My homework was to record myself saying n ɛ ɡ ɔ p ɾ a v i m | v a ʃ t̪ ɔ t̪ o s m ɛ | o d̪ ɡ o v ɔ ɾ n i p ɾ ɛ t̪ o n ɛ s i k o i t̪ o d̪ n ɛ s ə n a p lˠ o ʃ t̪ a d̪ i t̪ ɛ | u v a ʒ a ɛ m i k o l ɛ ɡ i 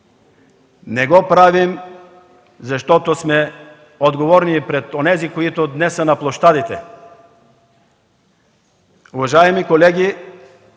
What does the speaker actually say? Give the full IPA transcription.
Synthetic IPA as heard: n ɛ ɡ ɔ p ɾ a v i m | z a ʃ t̪ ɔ t̪ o s m ɛ | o d̪ ɡ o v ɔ ɾ n i p ɾ ɛ t̪ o n ɛ z i k o i t̪ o d̪ n ɛ s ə n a p lˠ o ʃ t̪ a d̪ i t̪ ɛ | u v a ʒ a ɛ m i k o l ɛ ɡ i